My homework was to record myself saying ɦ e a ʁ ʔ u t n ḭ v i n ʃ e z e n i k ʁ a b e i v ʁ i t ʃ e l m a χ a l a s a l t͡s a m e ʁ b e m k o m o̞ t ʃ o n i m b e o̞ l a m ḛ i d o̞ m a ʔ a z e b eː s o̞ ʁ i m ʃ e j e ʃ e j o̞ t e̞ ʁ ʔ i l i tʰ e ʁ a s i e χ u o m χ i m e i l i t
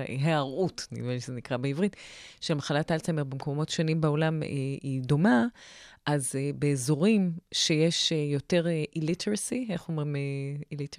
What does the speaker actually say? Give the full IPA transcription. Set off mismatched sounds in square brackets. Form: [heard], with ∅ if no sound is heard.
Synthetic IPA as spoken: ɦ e a ʁ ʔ u t n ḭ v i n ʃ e z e n i k ʁ a b e i v ʁ i t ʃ e l m a χ a l a [t] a l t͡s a m e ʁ b e m k o m o̞ t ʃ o n i m b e o̞ l a m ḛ i d o̞ m a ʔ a z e b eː [z] o̞ ʁ i m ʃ e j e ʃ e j o̞ t e̞ ʁ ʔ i l i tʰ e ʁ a s i e χ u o m [ʁ] i m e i l i t